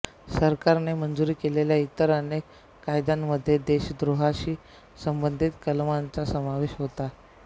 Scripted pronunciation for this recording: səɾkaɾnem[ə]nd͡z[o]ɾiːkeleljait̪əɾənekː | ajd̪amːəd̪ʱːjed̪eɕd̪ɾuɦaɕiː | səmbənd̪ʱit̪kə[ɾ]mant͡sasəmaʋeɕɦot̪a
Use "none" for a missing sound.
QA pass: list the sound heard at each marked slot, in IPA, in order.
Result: ə, u, l

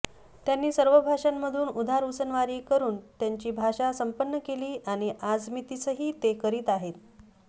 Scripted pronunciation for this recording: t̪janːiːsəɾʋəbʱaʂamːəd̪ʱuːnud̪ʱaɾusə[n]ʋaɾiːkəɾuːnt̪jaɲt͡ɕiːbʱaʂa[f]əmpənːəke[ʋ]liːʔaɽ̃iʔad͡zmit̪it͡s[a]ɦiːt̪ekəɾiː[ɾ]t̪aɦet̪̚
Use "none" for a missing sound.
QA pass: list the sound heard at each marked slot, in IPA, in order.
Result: n, s, none, ə, none

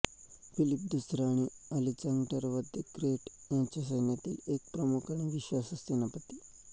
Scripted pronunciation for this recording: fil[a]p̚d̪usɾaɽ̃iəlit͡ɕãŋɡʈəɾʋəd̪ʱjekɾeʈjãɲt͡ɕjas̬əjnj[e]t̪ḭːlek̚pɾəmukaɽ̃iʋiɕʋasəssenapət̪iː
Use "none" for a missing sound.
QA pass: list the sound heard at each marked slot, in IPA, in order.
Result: i, a

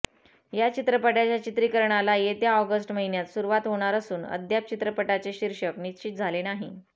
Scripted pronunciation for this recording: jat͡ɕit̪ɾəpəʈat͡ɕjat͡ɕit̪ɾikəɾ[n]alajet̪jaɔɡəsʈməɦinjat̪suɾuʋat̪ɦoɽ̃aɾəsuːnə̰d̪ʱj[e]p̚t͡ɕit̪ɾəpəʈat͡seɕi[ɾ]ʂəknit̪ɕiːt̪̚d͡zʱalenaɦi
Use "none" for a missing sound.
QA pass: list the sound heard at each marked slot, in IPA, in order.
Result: ɳ, a, ɾ

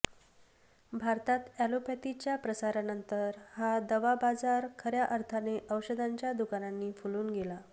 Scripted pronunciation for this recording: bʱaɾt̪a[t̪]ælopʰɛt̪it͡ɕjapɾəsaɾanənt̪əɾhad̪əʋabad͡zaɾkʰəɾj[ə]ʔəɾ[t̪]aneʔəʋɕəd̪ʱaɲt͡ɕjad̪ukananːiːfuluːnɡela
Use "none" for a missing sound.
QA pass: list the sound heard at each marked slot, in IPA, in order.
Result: t̪, a, t̪ʰ

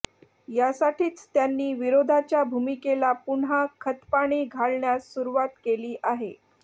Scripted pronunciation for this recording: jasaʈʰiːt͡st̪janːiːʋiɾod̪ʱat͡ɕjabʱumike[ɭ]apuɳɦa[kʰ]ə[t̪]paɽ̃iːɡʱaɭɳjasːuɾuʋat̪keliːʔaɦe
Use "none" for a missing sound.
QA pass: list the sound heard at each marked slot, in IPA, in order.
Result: l, kʰ, t̪

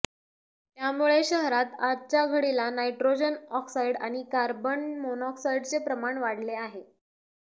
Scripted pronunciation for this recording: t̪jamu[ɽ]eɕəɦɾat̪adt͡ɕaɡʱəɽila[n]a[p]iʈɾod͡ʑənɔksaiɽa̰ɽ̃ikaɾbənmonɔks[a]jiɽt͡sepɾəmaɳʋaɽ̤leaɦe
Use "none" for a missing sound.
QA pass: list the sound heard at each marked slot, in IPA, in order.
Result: ɭ, n, none, a

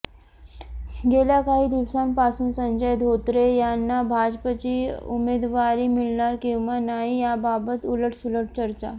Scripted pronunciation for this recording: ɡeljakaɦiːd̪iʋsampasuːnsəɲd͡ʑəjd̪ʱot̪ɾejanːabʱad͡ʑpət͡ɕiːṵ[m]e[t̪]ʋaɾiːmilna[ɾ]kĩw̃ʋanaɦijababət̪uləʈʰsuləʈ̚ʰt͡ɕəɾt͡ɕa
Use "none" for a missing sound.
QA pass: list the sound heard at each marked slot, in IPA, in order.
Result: m, d̪, ɾ

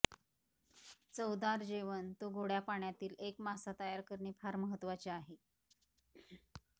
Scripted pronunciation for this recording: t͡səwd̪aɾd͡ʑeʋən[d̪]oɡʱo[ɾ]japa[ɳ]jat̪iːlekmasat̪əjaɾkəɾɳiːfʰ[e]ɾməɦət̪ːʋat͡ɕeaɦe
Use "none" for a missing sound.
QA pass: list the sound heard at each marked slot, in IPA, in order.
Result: t̪, ɽ, ɳ, a

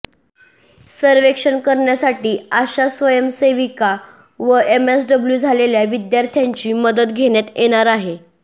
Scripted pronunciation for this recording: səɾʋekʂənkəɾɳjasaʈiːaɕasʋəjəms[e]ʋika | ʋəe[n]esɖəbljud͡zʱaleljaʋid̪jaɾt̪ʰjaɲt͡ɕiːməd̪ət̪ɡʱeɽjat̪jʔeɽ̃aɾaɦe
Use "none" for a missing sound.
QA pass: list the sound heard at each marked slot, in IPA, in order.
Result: e, m

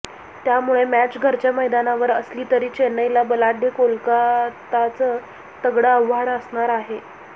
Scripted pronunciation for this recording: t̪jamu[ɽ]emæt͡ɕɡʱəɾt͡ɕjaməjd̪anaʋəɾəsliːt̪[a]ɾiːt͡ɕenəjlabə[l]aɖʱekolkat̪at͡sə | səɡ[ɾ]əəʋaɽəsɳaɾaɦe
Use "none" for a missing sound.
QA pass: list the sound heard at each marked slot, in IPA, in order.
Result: ɭ, ə, l, ɽ

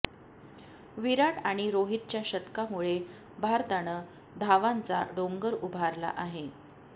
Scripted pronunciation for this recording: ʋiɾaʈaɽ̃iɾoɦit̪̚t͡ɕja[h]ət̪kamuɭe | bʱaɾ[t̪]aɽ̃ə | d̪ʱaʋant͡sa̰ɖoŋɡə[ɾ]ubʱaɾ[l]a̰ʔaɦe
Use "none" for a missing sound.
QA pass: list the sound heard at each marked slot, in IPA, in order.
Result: ɕ, t̪, ɾ, l

